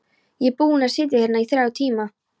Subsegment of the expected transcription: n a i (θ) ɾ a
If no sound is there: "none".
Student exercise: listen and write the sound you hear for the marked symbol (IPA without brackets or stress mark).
θ